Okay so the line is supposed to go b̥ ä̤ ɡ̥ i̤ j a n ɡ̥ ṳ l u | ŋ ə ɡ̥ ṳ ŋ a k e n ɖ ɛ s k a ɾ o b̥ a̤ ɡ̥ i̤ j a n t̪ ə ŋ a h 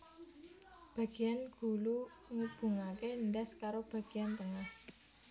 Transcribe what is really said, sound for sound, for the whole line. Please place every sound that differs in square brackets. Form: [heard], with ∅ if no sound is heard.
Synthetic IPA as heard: b̥ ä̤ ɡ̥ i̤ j a n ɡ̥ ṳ l u | ŋ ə [b̥] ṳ ŋ a k e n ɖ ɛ s k a ɾ o b̥ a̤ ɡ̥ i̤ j a n t̪ ə ŋ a h